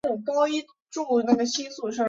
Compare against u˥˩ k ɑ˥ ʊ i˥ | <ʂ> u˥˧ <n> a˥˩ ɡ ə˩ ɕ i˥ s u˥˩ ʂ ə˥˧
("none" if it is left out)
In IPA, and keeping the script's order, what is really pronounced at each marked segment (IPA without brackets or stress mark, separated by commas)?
ʈ͡ʂ, n